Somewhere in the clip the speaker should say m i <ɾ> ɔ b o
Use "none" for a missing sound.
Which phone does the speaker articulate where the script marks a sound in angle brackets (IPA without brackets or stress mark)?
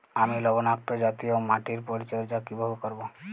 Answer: l